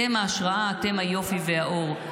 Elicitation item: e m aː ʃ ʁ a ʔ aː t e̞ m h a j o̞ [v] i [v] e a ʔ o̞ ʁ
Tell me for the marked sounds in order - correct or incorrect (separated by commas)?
incorrect, correct